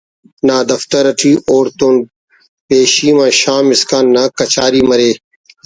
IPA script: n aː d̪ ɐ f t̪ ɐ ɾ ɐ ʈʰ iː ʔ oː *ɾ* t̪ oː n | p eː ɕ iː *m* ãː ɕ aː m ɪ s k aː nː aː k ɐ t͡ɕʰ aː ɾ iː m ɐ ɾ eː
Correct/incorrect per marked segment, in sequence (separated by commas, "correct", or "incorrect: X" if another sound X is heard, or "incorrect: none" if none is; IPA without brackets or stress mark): correct, correct